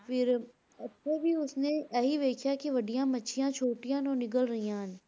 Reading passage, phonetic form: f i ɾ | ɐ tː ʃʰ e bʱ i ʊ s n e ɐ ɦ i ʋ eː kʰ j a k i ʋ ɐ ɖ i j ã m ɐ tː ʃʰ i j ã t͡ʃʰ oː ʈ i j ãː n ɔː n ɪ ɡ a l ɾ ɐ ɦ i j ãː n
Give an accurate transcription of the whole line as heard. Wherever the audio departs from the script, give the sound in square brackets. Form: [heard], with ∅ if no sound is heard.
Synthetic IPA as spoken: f [ɪ] ɾ | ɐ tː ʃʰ e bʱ i ʊ s n e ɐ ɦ i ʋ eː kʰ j a k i ʋ ɐ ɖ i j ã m ɐ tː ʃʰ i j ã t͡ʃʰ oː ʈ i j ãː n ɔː n ɪ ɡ [ə] l ɾ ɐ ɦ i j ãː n